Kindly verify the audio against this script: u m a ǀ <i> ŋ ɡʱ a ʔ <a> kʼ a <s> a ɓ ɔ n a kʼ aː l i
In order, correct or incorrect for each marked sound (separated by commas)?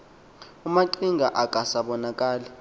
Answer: correct, correct, correct